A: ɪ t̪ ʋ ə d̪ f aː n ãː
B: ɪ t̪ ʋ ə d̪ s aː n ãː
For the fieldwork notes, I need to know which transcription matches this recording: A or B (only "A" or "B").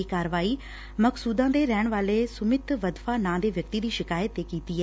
A